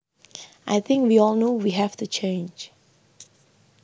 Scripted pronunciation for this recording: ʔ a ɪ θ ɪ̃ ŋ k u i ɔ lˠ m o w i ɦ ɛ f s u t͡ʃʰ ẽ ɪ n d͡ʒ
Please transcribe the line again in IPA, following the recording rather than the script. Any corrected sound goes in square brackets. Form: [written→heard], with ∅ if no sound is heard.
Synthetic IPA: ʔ a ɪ θ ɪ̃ ŋ k [u→w] i ɔ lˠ [m→n] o w i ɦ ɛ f [s→t] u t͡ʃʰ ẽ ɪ n d͡ʒ